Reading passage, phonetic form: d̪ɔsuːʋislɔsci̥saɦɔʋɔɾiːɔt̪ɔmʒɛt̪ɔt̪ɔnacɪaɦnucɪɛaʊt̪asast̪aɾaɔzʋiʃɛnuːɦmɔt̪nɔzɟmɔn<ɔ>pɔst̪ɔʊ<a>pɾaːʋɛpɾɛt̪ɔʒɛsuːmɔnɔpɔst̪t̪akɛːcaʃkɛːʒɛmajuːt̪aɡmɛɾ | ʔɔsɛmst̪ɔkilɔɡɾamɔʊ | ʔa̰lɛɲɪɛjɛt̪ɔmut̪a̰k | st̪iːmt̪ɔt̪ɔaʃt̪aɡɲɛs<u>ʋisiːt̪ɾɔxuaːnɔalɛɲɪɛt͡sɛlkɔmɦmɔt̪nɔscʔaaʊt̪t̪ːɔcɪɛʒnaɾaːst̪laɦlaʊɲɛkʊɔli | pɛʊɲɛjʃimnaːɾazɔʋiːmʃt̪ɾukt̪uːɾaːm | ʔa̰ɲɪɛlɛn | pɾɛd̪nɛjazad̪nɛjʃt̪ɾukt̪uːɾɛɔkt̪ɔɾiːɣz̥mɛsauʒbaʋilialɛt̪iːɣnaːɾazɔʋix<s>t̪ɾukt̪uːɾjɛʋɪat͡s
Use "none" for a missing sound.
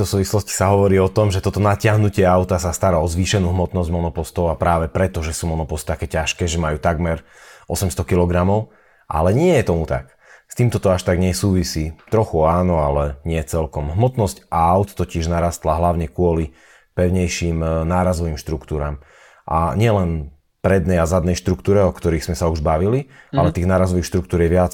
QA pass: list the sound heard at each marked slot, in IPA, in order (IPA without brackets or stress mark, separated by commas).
ɔ, a, uː, ʃ